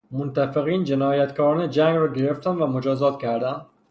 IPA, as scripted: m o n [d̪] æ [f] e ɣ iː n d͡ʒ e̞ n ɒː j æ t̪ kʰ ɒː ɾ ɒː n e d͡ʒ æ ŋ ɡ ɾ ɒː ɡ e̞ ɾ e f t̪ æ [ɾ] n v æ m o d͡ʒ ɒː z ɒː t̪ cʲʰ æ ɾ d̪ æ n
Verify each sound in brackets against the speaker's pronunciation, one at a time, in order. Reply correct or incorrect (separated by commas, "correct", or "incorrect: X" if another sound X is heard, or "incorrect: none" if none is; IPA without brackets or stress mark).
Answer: incorrect: t̪, correct, incorrect: none